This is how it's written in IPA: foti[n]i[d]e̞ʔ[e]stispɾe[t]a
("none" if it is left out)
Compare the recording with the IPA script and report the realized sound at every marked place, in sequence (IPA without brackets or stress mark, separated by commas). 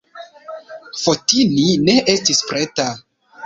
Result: n, n, e, t